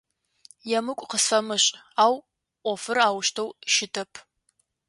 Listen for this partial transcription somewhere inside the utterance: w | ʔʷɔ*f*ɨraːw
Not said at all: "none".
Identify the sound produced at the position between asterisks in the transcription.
f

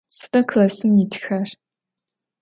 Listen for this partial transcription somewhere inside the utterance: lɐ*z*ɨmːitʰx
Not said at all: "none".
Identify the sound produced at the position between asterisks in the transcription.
s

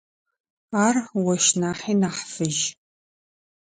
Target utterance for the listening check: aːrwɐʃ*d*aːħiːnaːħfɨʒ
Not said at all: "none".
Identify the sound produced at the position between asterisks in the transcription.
n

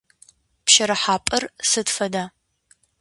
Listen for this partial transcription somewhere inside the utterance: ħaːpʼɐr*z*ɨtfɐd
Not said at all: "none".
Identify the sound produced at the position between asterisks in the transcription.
s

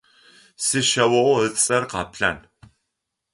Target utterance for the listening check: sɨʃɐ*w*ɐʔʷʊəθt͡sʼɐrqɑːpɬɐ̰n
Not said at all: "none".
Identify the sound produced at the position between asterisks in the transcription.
w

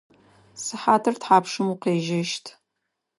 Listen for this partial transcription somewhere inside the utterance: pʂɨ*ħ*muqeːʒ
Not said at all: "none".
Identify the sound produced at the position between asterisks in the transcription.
none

